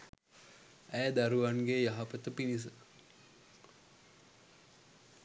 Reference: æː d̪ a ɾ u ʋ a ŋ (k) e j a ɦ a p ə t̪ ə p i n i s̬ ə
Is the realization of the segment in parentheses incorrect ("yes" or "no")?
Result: yes